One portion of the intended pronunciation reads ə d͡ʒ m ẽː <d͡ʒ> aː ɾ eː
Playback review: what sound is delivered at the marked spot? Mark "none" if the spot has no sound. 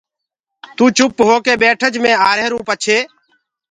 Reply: none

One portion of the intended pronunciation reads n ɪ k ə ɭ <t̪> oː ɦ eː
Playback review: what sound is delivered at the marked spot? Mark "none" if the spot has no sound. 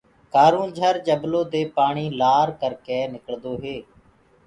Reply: d̪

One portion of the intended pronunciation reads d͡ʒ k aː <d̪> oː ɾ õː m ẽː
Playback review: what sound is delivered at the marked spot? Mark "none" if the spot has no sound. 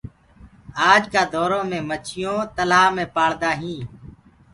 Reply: d̪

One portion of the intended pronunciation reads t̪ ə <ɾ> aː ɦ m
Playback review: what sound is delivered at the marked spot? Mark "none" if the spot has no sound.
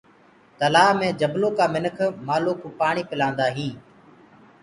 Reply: l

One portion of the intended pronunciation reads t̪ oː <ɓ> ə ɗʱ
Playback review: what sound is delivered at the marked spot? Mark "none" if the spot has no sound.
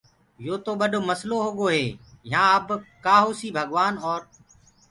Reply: ɓ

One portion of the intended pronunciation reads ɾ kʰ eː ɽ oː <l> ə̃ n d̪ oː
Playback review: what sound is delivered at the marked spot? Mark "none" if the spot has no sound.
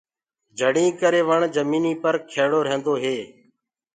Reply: ɾ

